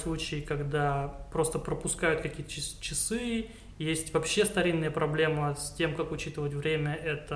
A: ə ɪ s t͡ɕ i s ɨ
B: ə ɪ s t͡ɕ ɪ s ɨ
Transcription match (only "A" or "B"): B